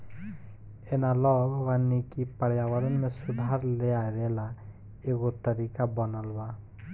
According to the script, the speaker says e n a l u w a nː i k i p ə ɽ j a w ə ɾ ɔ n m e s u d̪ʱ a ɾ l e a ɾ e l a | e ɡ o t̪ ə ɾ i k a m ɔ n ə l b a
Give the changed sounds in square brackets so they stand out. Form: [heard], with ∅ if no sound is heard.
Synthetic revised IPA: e n a l [ɔ] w a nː i k i p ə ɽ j a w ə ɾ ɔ n m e s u d̪ʱ a ɾ l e a ɾ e l a | e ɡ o t̪ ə ɾ i k a [b] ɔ n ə l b a